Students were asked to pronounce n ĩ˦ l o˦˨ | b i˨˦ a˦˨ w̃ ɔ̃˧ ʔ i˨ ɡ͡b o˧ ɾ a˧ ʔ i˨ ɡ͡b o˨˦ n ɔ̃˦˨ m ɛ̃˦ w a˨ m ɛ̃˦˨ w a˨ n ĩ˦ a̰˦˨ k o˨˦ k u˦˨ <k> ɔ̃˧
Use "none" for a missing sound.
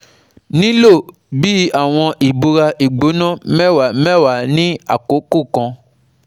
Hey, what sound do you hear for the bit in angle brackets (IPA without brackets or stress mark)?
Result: k